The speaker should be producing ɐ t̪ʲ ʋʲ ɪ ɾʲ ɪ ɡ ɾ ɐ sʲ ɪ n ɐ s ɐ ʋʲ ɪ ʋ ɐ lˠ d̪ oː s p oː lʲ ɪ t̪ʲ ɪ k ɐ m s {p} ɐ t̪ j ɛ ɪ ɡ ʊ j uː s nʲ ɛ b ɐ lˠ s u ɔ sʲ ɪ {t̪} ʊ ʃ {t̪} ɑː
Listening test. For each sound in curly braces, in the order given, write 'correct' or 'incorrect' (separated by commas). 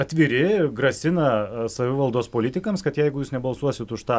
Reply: incorrect, correct, correct